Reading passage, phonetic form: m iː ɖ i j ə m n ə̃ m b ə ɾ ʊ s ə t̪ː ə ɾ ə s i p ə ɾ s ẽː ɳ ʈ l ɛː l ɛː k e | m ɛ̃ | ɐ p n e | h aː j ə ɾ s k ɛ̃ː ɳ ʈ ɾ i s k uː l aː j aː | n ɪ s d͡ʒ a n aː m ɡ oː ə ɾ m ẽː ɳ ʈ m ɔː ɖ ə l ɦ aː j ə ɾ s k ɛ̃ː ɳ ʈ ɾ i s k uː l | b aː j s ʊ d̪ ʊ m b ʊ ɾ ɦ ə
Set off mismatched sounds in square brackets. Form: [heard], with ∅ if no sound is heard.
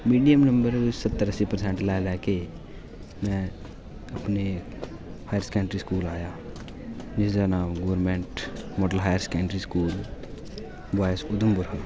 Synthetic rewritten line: m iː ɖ i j ə m n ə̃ m b ə ɾ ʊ s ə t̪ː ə ɾ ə s i p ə ɾ s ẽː ɳ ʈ l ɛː l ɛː k e | m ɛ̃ | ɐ p n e | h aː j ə ɾ s k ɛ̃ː ɳ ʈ ɾ i s k uː l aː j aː | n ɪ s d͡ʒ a n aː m ɡ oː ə ɾ m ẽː ɳ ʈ m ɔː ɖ ə l ɦ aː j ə ɾ s k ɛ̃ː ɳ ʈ ɾ i s k uː l | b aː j s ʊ d̪ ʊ m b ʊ ɾ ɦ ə